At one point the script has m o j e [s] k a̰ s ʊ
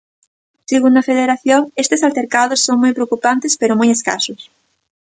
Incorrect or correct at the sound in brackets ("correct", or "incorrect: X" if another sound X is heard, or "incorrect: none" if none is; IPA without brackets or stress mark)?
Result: correct